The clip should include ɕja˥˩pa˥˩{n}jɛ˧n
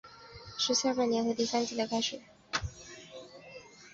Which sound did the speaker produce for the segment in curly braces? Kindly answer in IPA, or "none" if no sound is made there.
n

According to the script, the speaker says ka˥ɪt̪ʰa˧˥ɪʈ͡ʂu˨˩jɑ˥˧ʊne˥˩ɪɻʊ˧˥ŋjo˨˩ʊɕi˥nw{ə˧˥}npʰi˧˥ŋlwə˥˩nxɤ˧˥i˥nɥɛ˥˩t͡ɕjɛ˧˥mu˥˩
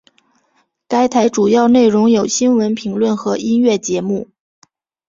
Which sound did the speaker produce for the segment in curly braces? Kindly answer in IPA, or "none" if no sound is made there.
ə˧˥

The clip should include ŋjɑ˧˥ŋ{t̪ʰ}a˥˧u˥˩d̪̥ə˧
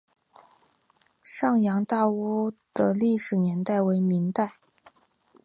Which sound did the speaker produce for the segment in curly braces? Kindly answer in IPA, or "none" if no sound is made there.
t̪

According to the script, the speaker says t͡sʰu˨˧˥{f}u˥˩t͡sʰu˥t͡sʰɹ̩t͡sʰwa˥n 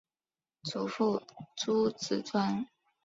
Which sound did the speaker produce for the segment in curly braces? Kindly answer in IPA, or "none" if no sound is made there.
f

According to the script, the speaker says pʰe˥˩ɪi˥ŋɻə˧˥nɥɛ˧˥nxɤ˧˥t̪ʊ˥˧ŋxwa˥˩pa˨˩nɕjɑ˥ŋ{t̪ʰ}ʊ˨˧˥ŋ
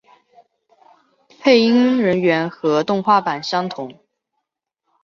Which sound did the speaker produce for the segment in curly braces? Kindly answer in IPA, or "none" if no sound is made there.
t̪ʰ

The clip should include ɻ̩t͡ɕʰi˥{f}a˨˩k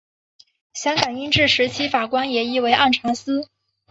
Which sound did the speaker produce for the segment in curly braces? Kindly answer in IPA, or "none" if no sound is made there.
f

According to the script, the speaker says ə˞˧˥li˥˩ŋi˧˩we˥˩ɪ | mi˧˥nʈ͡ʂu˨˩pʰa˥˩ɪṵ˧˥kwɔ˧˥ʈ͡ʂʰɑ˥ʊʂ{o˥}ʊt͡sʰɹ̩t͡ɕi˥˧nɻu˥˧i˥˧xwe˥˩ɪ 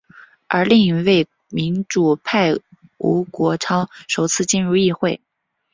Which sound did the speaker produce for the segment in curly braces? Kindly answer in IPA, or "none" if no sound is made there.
o˨˩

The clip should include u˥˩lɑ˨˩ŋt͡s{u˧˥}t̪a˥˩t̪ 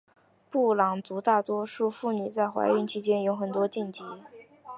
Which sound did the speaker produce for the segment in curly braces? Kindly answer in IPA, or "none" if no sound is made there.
u˧˥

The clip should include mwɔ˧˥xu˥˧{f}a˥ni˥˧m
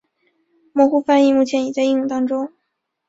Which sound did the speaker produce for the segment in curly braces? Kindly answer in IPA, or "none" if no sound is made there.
f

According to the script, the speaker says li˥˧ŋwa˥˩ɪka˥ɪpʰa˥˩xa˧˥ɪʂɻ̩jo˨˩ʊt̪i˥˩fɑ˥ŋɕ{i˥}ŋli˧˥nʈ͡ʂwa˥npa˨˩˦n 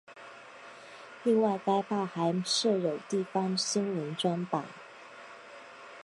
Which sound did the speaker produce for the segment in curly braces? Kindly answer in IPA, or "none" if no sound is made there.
i˥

